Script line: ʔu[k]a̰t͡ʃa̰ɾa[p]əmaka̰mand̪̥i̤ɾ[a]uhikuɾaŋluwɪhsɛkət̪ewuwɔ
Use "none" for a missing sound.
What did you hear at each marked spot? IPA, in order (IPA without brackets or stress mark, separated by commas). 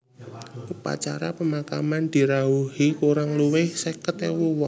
p, p, a